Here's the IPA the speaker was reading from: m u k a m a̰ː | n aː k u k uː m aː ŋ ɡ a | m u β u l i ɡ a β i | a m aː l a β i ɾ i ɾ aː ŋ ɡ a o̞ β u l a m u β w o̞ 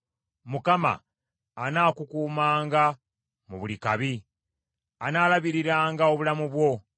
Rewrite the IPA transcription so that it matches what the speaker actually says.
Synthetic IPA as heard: m u k a m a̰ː | n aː k u k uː m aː ŋ ɡ a | m u β u l i k a β i | a n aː l a β i ɾ i ɾ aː ŋ ɡ a o̞ β u l a m u β w o̞